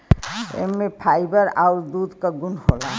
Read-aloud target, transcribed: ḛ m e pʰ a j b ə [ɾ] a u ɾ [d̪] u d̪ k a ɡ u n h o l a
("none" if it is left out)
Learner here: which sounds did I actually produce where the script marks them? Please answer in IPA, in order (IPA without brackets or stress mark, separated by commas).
ɾ, d̪